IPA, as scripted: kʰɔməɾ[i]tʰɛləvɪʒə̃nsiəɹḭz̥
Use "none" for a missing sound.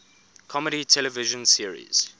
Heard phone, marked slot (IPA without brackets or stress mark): i